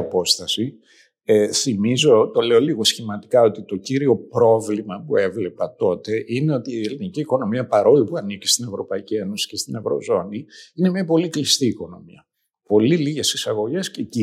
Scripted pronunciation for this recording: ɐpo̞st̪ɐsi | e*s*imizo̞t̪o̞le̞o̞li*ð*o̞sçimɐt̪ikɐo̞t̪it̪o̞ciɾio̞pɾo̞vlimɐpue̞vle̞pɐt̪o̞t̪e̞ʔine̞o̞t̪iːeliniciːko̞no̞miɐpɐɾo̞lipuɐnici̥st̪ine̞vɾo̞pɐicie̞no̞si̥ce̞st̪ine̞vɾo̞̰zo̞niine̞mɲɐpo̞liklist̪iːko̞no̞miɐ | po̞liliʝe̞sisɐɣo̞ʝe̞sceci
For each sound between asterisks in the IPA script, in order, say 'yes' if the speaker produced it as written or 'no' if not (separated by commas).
no, no